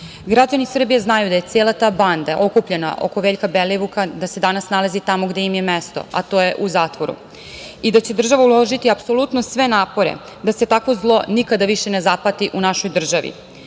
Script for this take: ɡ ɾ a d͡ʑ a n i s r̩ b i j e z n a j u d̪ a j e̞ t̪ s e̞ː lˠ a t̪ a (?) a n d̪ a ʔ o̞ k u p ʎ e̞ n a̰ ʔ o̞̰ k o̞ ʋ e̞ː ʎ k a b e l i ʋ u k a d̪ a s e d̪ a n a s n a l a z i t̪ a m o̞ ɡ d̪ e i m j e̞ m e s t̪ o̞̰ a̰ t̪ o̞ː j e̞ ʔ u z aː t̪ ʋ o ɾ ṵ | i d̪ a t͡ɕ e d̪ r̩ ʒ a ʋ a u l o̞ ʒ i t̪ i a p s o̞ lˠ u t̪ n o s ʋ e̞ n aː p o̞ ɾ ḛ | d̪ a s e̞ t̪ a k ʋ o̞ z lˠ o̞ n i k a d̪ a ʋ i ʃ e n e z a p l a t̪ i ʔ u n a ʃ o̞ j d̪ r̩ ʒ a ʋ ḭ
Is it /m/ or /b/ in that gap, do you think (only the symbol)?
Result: b